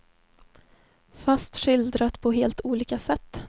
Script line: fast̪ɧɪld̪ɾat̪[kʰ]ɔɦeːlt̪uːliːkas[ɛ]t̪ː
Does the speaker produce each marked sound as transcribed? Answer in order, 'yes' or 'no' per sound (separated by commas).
no, yes